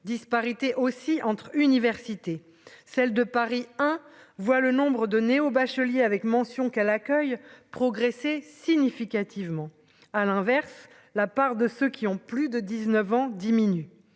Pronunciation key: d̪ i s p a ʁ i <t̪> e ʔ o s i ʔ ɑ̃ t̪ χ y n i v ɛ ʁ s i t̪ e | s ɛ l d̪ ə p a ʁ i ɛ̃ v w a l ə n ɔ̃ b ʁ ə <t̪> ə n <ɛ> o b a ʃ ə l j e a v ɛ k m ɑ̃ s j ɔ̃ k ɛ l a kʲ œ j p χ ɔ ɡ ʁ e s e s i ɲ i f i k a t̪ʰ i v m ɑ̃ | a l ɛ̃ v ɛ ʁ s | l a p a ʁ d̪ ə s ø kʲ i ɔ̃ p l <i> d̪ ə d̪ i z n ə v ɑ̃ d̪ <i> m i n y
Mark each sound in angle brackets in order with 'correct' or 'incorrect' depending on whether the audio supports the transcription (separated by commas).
correct, incorrect, incorrect, incorrect, correct